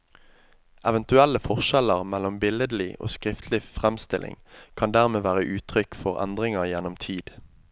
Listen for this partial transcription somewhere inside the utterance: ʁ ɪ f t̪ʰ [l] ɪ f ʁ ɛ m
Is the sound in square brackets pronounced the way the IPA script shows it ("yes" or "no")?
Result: yes